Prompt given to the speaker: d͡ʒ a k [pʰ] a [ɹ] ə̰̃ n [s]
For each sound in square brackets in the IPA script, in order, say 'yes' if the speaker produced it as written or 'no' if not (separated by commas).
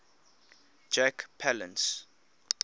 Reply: yes, no, yes